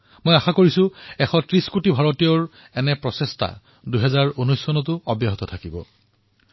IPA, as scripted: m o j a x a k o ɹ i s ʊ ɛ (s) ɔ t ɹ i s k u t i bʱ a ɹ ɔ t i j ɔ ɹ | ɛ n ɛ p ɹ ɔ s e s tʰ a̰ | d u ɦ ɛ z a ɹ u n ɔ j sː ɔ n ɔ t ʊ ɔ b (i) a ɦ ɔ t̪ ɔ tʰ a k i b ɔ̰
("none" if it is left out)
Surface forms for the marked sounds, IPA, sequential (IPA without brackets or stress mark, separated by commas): x, j